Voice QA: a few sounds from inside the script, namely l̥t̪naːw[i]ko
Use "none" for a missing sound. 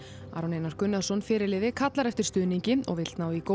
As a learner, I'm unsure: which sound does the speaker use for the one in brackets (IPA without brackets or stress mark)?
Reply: i